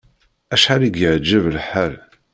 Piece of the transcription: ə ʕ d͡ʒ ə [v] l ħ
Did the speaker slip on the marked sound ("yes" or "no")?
no